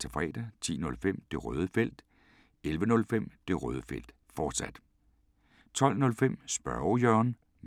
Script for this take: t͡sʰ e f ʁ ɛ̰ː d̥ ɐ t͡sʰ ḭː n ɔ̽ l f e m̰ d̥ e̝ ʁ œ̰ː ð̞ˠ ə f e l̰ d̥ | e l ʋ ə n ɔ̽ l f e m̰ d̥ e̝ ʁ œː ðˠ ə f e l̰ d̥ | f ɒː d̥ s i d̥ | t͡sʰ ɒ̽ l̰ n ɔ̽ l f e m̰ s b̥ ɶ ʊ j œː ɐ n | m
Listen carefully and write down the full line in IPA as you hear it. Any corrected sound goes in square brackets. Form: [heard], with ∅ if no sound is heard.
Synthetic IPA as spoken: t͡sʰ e f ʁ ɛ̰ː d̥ ɐ t͡sʰ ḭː n ɔ̽ l f e m̰ d̥ e̝ ʁ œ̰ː ð̞ˠ ə f e l̰ d̥ | e l ʋ ə n ɔ̽ l f e m̰ d̥ e̝ ʁ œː ðˠ ə f e l̰ d̥ | f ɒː d̥ s [æ] d̥ | t͡sʰ ɒ̽ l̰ n ɔ̽ l f e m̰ s b̥ ɶ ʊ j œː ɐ n | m